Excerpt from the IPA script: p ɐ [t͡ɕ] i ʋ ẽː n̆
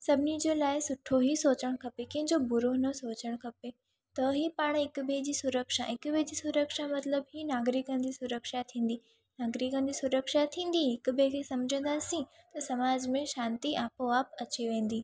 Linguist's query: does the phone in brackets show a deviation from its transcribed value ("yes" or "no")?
no